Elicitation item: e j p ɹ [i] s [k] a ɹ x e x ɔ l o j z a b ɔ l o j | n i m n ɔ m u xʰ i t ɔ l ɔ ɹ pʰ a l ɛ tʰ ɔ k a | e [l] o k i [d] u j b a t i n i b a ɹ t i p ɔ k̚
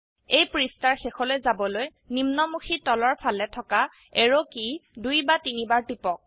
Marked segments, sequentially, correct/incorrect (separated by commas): correct, incorrect, incorrect, correct